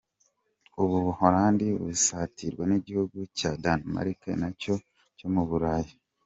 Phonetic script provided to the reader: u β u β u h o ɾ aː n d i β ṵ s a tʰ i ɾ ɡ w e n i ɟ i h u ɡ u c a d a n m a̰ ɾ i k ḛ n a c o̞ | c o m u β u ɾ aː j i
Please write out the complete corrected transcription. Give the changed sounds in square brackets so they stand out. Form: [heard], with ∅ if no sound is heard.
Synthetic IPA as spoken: u β u β u h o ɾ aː n d i β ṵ s a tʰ i ɾ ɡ w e n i ɟ i h u ɡ u c a d a n m a̰ ɾ i k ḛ n a c o̞ | c o m u β u ɾ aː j i